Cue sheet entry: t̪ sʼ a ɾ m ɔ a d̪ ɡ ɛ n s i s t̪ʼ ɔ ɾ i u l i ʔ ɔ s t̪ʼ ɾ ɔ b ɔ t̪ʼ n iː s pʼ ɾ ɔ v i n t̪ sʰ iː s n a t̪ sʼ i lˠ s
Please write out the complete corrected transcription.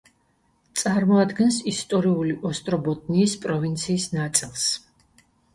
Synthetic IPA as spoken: t̪ sʼ a ɾ m ɔ a d̪ ɡ ɛ n s i s t̪ʼ ɔ ɾ i u l i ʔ ɔ s t̪ʼ ɾ ɔ b ɔ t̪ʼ n iː s pʼ ɾ ɔ v i n t̪ sʰ iː s n a t̪ sʼ i lˠ s